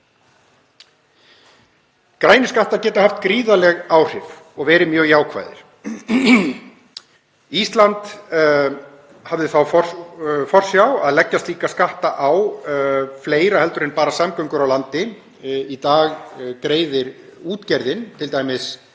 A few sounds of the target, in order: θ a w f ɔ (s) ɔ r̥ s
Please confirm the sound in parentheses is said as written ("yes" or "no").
no